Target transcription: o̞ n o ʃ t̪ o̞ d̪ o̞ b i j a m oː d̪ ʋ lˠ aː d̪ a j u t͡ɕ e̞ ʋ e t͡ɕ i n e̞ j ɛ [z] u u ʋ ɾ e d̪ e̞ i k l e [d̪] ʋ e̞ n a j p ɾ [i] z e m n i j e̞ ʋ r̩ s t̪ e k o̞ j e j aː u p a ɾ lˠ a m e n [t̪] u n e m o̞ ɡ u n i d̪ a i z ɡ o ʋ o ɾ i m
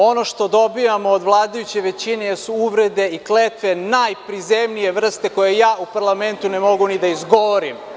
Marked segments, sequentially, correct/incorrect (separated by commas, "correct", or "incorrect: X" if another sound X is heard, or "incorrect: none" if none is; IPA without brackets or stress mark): incorrect: s, incorrect: t̪, correct, correct